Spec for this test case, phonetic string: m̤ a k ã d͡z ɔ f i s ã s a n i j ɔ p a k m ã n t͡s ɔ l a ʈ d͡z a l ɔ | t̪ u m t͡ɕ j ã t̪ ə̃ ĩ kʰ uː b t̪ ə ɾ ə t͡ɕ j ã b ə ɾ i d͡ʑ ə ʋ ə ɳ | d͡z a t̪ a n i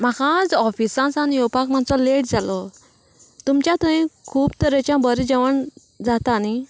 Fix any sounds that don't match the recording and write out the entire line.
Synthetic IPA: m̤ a k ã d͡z ɔ f i s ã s a n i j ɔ p a k m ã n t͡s ɔ l e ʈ d͡z a l ɔ | t̪ u m t͡ɕ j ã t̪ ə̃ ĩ kʰ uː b t̪ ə ɾ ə t͡ɕ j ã b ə ɾ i d͡ʑ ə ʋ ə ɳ | d͡z a t̪ a n i

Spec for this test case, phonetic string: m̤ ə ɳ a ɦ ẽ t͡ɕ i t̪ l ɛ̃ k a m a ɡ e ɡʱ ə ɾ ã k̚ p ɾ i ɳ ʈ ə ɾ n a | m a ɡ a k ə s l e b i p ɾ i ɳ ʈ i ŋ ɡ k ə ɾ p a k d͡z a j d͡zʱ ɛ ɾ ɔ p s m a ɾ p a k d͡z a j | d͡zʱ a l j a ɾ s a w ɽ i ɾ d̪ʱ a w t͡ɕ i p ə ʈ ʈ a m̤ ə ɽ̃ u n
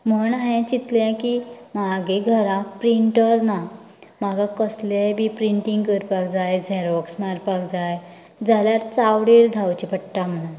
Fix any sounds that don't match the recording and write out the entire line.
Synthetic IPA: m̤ ə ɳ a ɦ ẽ t͡ɕ i t̪ l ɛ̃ k i m a ɡ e ɡʱ ə ɾ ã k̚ p ɾ i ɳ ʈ ə ɾ n a | m a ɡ a k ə s l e b i p ɾ i ɳ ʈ i ŋ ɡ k ə ɾ p a k d͡z a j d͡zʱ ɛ ɾ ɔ k s m a ɾ p a k d͡z a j | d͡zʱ a l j a ɾ t͡s a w ɽ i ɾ d̪ʱ a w t͡ɕ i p ə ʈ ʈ a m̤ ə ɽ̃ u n

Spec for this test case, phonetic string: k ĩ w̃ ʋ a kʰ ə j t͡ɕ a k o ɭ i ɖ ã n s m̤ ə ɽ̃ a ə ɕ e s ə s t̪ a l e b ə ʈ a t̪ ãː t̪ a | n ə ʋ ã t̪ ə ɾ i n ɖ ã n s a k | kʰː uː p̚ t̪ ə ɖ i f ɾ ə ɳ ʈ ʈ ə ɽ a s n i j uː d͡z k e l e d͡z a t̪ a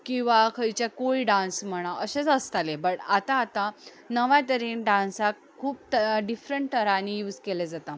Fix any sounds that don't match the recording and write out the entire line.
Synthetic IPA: k ĩ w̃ ʋ a kʰ ə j t͡ɕ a k o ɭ i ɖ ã n s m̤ ə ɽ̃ a ə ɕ e t͡s ə s t̪ a l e b ə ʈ a t̪ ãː t̪ a | n ə ʋ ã t̪ ə ɾ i n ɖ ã n s a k | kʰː uː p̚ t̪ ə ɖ i f ɾ ə ɳ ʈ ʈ ə ɾ a n i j uː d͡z k e l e d͡z a t̪ a

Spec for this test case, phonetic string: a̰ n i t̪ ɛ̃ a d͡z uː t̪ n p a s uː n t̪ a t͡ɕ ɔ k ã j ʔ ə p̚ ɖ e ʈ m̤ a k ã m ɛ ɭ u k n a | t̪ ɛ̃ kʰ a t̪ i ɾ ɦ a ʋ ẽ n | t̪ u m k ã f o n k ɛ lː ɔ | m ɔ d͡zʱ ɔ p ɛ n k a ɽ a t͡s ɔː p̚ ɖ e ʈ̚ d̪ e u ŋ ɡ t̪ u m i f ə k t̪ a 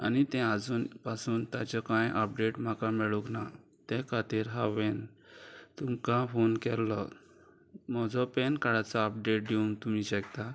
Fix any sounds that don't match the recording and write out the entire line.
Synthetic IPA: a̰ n i t̪ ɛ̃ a d͡z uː n p a s uː n t̪ a t͡ɕ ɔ k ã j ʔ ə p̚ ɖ e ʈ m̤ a k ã m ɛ ɭ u k n a | t̪ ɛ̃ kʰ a t̪ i ɾ ɦ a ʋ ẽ n | t̪ u m k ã f o n k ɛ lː ɔ | m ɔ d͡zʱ ɔ p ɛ n k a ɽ a t͡s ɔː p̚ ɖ e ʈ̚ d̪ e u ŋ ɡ t̪ u m i ɕ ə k t̪ a

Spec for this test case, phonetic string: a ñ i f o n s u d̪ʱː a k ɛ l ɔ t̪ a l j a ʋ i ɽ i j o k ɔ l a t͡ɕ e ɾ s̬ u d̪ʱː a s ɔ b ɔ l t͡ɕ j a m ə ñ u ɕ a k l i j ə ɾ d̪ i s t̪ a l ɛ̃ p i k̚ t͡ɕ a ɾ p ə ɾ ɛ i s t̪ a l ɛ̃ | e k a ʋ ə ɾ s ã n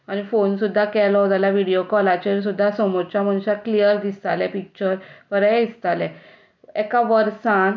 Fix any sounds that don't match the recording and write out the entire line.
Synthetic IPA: a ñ i f o n s u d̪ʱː a k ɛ l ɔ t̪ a l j a ʋ i ɽ i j o k ɔ l a t͡ɕ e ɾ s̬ u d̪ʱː a s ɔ m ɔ ɾ t͡ɕ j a m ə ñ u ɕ a k l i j ə ɾ d̪ i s t̪ a l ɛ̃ p i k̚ t͡ɕ ə ɾ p ə ɾ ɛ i s t̪ a l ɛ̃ | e k a ʋ ə ɾ s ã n

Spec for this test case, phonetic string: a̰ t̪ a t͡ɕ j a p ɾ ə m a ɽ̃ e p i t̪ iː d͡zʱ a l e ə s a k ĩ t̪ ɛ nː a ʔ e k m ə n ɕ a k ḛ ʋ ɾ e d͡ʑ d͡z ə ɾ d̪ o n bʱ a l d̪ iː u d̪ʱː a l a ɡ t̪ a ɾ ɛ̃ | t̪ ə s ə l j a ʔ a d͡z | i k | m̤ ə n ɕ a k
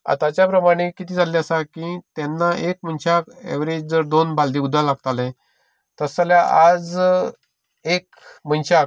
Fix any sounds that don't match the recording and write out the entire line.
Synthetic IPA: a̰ t̪ a t͡ɕ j a p ɾ ə m a ɽ̃ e k i t̪ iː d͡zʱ a l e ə s a k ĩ t̪ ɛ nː a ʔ e k m ə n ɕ a k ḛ ʋ ɾ e d͡ʑ d͡z ə ɾ d̪ o n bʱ a l d̪ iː u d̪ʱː a l a ɡ t̪ a l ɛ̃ | t̪ ə s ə l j a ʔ a d͡z | e k | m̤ ə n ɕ a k

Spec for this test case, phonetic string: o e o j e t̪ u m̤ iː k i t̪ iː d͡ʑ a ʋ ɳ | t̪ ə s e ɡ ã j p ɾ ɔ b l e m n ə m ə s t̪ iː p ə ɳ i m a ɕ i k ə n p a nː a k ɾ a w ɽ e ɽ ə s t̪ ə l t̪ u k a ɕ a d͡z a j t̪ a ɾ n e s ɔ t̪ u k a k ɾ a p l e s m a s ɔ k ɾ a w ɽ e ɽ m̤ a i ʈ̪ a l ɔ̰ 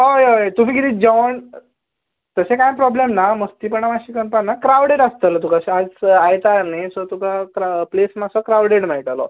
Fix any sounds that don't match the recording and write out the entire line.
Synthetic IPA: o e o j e t̪ u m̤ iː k i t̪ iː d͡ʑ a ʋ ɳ | t̪ ə s e k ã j p ɾ ɔ b l e m n a m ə s t̪ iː p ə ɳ a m a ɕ i k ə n p a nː a k ɾ a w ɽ e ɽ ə s t̪ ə l t̪ u k a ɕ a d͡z a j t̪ a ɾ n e s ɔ t̪ u k a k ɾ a p l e s m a s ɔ k ɾ a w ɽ e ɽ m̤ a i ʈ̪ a l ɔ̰

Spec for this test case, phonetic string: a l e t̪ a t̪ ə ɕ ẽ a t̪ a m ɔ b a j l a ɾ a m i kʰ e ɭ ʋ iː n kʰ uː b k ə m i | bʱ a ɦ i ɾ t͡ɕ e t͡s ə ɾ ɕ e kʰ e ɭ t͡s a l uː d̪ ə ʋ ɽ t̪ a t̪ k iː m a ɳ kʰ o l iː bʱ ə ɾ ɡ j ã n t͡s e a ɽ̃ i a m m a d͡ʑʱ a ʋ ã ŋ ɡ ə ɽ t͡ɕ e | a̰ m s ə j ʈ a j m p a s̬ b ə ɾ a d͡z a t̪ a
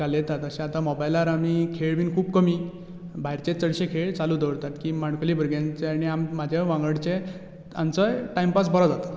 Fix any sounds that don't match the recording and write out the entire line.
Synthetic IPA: a l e t̪ a t̪ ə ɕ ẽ a t̪ a m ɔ b a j l a ɾ a m i kʰ e ɭ ʋ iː n kʰ uː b k ə m i | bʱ a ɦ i ɾ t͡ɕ e t͡s ə ɽ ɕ e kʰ e ɭ t͡s a l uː d̪ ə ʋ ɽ t̪ a t̪ k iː m a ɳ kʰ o l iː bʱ ə ɾ ɡ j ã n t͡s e a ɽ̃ i a m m a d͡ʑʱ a ʋ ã ŋ ɡ ə ɽ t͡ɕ e | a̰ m t͡s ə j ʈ a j m p a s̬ b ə ɾ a d͡z a t̪ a

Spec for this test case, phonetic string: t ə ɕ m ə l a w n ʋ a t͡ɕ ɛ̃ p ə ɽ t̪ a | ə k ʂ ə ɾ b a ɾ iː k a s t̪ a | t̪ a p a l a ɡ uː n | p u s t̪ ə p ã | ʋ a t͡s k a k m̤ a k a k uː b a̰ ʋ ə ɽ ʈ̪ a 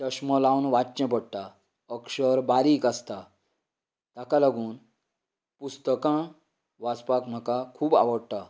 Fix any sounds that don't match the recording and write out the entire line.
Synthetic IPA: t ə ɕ m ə l a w n ʋ a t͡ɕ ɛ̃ p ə ɽ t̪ a | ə k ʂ ə ɾ b a ɾ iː k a s t̪ a | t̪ a k a l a ɡ uː n | p u s t̪ ə k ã | ʋ a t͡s p a k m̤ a k a kʰ uː b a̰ ʋ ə ɽ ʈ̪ a

